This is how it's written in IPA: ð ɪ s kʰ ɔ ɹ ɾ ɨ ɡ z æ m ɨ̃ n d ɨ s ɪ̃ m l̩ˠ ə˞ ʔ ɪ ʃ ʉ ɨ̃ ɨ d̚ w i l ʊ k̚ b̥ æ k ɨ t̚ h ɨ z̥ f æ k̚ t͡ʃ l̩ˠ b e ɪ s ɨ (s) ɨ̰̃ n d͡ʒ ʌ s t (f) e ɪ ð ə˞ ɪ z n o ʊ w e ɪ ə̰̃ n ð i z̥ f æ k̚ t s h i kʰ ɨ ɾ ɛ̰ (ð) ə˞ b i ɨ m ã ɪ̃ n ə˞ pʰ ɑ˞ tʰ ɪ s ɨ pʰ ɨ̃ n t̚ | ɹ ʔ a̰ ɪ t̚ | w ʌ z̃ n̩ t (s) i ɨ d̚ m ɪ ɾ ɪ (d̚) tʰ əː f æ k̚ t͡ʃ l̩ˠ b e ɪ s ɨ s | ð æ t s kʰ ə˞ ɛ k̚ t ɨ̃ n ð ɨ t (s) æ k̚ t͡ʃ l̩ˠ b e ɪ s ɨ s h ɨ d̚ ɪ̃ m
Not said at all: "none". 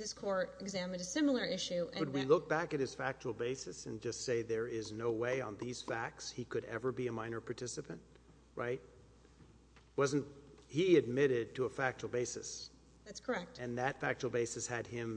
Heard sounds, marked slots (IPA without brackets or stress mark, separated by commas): s, s, v, h, d̚, f